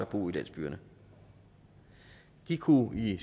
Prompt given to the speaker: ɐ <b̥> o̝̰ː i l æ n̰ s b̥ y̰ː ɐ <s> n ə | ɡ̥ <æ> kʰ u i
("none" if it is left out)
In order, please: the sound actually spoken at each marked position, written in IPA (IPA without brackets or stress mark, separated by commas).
b̥, none, i